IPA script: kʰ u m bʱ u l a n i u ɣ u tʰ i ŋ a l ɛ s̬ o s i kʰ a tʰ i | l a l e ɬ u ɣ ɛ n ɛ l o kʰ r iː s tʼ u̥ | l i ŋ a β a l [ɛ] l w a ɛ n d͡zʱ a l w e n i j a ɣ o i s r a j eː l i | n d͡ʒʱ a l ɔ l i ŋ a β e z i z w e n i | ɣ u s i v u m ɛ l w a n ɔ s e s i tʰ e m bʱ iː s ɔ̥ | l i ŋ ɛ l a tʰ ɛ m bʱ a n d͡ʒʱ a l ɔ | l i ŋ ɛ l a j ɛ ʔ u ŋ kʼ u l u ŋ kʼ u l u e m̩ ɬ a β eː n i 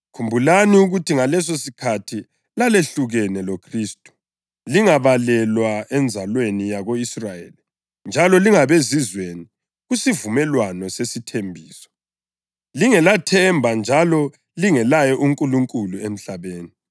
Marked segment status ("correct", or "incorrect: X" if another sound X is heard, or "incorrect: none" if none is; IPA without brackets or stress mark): correct